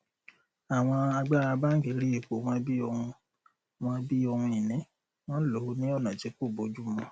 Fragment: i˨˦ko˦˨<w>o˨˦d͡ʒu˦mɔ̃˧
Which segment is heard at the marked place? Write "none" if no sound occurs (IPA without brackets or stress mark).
b